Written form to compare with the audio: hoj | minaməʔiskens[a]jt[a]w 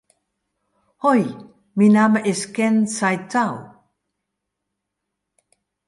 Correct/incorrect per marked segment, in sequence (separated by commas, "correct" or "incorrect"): correct, correct